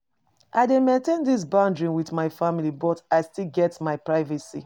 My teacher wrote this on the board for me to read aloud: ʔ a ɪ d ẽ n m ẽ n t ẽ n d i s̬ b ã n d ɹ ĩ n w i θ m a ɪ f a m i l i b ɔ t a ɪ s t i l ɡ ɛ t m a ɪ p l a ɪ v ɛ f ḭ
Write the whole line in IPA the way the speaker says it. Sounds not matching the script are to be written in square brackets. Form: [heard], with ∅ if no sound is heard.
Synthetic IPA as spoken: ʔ a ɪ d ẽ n m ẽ n t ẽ n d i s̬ b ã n d ɹ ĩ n w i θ m a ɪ f a m i l i b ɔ t a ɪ s t i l ɡ ɛ t m a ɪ p [ɹ] a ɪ v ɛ [s] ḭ

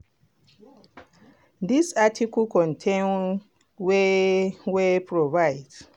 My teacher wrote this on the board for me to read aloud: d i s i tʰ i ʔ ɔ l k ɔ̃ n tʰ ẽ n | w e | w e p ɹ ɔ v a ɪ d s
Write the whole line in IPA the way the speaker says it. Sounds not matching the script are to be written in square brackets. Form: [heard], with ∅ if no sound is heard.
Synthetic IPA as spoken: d i s [a] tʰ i [k] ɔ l k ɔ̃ n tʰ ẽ n | w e | w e p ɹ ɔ v a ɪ d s

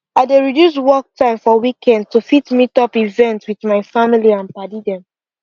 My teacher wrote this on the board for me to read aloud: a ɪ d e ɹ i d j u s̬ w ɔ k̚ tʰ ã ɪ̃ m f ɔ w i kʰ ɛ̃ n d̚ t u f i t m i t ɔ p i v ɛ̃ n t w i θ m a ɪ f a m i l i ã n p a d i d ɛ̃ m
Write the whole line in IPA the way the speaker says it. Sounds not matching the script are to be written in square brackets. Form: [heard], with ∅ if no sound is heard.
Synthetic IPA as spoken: a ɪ d e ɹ i d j u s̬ w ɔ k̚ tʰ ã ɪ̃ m f ɔ w i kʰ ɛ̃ n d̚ t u f i t m i t ɔ p i v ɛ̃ n t w i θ m a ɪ f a m i l i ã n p a d i d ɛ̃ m

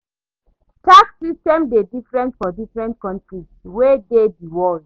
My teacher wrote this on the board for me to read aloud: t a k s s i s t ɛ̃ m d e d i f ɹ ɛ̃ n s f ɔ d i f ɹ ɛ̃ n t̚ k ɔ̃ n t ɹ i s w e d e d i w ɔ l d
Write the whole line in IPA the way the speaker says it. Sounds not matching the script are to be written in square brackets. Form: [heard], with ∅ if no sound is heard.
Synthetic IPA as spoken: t a k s s i s t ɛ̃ m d e d i f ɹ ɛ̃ n [t] f ɔ d i f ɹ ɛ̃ n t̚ k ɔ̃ n t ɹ i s w e d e d i w ɔ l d

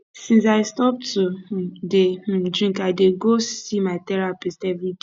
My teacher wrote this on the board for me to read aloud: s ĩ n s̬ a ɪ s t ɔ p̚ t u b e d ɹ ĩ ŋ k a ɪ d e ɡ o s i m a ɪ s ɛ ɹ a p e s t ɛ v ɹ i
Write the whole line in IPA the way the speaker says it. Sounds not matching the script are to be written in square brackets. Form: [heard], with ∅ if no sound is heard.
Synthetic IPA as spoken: s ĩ n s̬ a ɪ s t ɔ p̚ t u [d] e d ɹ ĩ ŋ k a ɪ d e ɡ o s i m a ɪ [t] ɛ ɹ a p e s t ɛ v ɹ i

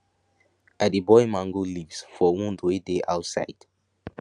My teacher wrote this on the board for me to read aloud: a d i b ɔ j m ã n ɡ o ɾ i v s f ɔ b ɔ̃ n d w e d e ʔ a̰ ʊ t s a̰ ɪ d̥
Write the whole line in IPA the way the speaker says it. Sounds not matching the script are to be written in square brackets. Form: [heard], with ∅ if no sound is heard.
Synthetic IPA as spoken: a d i b ɔ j m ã [ŋ] ɡ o [l] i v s f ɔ [w] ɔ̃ n d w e d e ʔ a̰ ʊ t s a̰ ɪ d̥

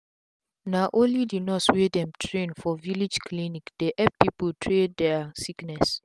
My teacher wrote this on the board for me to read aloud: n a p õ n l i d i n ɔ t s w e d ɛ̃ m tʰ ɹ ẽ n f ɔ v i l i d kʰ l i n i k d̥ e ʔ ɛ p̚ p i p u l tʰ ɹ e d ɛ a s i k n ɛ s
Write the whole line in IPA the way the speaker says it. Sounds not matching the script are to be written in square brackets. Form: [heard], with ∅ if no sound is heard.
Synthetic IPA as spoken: n a [ʔ] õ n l i d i n ɔ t s w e d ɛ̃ m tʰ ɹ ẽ n f ɔ v i l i [d͡ʒ] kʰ l i n i k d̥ e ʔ ɛ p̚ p i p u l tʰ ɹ e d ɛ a s i k n ɛ s

